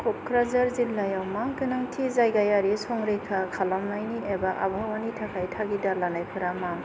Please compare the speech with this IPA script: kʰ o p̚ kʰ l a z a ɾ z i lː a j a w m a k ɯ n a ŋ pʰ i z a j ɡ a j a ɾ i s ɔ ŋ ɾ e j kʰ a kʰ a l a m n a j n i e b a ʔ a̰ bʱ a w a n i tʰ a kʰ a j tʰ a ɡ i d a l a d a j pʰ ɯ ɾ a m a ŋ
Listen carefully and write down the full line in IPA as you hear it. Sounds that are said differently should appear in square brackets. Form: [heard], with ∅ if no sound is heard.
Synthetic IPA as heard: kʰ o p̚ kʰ [ɾ] a z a ɾ z i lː a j a w m a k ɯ n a ŋ [tʰ] i z a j ɡ a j a ɾ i s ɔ ŋ ɾ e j kʰ a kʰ a l a m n a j n i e b a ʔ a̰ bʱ a w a n i tʰ a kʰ a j tʰ a ɡ i d a l a [n] a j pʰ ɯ ɾ a m a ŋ